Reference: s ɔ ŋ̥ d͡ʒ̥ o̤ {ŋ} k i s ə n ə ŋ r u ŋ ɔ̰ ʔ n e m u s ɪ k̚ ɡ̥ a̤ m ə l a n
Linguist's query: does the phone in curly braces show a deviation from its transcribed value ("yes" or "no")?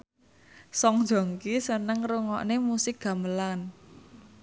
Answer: no